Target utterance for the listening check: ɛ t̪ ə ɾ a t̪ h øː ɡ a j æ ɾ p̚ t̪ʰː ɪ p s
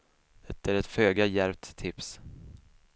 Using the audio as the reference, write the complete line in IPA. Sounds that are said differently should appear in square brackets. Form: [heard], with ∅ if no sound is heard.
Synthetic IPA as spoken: ɛ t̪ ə ɾ [ɛ] t̪ [f] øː ɡ a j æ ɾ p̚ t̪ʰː ɪ p s